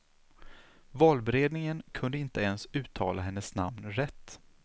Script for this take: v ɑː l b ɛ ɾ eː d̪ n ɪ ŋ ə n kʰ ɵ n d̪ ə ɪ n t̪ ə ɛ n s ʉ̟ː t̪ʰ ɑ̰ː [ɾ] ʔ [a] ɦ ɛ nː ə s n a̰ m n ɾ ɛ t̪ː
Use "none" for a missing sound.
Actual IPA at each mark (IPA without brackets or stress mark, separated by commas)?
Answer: l, a